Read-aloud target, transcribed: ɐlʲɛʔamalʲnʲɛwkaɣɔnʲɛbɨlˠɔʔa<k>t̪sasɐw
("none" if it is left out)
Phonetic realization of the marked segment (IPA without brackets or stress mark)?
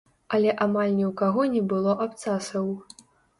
p